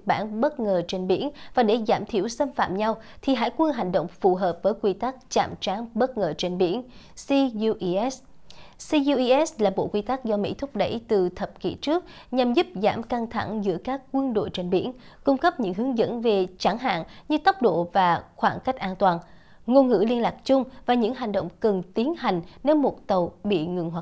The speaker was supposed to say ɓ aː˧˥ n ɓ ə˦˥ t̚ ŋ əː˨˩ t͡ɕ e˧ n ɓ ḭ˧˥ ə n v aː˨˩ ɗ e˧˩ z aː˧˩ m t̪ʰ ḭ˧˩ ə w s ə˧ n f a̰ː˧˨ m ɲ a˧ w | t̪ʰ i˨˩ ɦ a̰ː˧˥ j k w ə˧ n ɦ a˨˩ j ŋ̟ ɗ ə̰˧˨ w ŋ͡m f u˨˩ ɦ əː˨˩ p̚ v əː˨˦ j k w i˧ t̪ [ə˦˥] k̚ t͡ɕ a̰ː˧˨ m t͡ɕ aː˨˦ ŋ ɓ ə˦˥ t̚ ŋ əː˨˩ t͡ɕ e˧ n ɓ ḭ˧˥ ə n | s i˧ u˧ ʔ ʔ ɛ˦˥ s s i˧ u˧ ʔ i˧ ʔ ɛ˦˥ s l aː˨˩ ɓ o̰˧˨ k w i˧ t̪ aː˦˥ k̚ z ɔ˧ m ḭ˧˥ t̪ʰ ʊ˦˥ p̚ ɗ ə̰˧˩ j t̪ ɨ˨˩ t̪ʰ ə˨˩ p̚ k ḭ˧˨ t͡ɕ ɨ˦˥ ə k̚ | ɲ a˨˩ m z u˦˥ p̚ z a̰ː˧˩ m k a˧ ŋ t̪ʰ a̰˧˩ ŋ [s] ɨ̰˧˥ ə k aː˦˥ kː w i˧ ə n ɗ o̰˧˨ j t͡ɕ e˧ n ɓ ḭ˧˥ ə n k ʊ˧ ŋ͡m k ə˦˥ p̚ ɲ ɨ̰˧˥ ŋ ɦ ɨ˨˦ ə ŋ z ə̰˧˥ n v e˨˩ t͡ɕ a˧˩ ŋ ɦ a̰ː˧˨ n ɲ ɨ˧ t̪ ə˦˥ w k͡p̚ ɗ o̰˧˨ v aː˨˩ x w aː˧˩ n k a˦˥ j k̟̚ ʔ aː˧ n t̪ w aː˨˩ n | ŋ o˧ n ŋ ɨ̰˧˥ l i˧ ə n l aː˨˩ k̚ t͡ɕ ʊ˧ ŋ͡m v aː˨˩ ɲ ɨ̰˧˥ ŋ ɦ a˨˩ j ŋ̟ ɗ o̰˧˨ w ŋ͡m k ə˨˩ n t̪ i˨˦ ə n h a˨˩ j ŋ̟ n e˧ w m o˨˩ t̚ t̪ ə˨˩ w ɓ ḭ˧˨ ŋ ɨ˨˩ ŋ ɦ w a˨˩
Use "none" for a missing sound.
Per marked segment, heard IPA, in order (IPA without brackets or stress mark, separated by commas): a˦˥, z